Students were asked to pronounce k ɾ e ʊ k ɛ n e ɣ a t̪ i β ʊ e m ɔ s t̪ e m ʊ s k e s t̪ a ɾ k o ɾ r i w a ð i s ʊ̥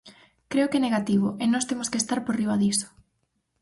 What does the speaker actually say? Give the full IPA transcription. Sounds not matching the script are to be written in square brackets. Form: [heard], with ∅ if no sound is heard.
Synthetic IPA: k ɾ e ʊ k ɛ n e ɣ a t̪ i β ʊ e [n] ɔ s t̪ e m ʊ s k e s t̪ a ɾ [p] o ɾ r i [β] a ð i s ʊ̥

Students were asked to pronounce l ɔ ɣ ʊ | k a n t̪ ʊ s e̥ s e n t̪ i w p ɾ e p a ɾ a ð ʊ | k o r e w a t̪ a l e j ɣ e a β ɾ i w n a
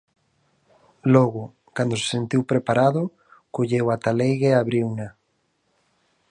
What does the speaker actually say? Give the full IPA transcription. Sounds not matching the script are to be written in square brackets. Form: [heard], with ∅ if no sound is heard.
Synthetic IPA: l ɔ ɣ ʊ | k a n [d̪] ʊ s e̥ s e n t̪ i w p ɾ e p a ɾ a ð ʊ | k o [ʎ] e w a t̪ a l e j ɣ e a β ɾ i w n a

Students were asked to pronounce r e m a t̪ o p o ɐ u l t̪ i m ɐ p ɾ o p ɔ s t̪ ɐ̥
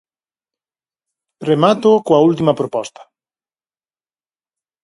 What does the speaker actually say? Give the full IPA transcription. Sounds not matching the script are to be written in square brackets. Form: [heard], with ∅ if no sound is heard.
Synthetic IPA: r e m a t̪ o [k] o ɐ u l t̪ i m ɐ p ɾ o p ɔ s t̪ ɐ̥

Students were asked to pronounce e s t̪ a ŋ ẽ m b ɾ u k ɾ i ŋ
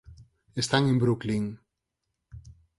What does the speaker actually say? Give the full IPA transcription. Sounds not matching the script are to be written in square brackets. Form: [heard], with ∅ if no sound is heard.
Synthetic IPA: e s t̪ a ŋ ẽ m b ɾ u k [l] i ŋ

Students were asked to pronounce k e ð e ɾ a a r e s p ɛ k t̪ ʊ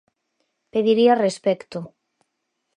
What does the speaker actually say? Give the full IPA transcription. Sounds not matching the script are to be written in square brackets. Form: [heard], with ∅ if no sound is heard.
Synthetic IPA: [p] e ð [i] ɾ [i] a r e s p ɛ k t̪ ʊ

